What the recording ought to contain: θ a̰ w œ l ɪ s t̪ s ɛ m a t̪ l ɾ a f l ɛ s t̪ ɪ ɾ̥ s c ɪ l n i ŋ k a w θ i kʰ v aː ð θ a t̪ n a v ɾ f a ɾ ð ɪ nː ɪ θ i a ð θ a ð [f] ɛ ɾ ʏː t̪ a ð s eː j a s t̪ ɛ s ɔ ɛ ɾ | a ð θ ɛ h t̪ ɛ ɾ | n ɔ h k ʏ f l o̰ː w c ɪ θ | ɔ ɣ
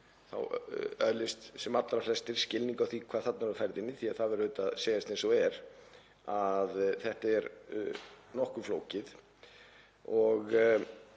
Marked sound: incorrect: v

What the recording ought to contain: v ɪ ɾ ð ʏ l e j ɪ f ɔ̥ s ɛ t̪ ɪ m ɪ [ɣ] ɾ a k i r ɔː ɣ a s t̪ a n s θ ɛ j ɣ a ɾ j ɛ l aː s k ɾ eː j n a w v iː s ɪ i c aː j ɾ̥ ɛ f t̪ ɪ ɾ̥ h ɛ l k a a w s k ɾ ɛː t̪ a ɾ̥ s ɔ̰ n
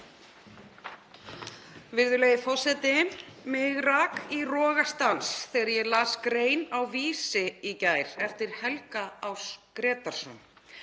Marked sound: correct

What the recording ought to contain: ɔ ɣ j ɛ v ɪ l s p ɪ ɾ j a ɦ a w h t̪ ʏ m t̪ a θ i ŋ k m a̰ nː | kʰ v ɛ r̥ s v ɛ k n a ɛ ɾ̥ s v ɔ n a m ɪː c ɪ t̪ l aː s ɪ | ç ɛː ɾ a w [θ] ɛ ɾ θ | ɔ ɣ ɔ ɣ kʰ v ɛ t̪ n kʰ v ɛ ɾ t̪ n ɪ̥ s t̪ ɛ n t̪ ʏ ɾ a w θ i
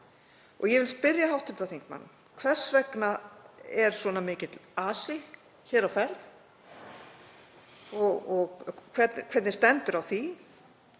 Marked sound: incorrect: f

